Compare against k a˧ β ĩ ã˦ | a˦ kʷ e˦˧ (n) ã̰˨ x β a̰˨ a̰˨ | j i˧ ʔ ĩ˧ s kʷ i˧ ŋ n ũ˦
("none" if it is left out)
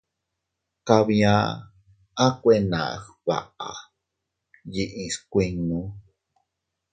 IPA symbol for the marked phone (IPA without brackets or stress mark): n